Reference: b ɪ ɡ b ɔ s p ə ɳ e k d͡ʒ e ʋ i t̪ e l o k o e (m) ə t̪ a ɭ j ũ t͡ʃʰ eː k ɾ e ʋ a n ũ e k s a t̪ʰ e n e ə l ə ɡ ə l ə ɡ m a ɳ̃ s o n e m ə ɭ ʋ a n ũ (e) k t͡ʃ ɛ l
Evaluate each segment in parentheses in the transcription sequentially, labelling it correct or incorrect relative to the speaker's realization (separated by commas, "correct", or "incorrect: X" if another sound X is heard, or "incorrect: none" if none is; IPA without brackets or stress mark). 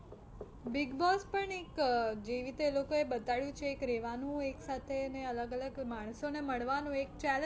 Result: incorrect: b, correct